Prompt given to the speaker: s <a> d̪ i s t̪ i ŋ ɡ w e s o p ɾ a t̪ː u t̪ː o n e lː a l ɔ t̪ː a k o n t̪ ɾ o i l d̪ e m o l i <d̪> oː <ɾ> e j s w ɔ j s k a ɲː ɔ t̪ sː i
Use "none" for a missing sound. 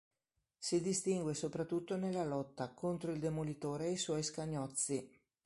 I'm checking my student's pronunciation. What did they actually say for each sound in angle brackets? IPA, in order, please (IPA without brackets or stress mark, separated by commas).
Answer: i, t̪, ɾ